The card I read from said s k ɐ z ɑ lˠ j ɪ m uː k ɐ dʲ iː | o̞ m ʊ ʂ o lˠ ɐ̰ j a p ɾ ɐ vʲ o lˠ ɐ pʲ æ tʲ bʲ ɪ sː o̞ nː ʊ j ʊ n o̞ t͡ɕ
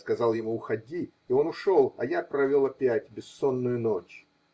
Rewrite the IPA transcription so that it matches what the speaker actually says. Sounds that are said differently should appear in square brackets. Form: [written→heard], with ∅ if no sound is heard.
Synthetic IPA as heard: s k ɐ z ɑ lˠ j ɪ m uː [k→x] ɐ dʲ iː | o̞ [m→n] ʊ ʂ o lˠ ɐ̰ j a p ɾ ɐ vʲ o lˠ ɐ pʲ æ tʲ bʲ ɪ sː o̞ nː ʊ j ʊ n o̞ t͡ɕ